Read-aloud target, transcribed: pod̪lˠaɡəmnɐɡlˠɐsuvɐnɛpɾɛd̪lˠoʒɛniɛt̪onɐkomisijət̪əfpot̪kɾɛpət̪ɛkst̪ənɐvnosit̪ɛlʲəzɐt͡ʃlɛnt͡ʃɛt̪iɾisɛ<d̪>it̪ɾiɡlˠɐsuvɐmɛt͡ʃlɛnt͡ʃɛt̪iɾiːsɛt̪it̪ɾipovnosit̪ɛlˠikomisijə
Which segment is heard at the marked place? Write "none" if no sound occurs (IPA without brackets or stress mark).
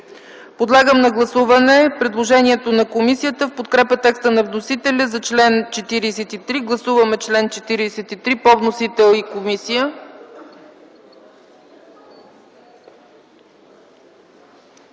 t̪